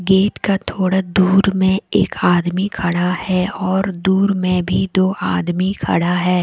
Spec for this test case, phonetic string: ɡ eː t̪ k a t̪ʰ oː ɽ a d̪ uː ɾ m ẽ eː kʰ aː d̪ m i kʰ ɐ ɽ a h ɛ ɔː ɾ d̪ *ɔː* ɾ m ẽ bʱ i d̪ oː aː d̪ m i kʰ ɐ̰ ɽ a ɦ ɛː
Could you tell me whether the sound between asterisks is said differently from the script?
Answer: yes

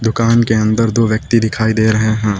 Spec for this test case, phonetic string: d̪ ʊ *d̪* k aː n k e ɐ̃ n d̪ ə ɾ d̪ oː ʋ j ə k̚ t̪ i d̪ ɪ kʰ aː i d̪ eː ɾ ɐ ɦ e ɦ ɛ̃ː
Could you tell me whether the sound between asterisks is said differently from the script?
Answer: yes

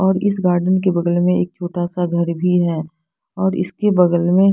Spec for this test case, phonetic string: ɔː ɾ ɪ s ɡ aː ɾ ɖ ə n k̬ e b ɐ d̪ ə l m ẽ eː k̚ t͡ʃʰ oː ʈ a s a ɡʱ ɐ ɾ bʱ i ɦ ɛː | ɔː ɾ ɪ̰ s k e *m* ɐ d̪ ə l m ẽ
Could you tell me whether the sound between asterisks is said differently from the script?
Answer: yes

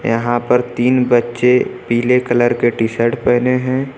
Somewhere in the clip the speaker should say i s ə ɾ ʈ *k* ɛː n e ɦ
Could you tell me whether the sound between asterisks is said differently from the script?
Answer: yes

